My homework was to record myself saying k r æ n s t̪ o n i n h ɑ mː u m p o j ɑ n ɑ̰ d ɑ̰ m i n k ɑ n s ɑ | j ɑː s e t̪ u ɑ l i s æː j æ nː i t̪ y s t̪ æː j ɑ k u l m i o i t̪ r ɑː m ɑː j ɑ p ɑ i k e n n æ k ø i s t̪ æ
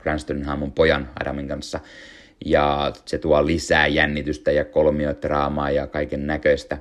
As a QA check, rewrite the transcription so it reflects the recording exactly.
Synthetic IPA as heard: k r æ n s t̪ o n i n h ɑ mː u m p o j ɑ n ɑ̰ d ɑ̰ m i ŋ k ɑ n sː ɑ | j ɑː s e t̪ u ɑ l i s æː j æ nː i t̪ y s t̪ æ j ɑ k o l m i o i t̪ r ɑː m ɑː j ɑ k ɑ i k e n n æ k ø i s t̪ æ